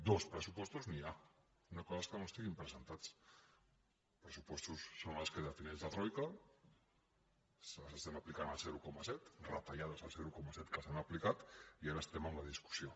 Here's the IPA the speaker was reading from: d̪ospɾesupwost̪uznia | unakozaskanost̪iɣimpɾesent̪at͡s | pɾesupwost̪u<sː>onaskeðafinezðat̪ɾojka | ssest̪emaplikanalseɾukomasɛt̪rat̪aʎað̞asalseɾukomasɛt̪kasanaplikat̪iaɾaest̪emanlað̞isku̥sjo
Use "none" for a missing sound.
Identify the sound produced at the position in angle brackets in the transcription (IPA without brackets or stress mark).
sː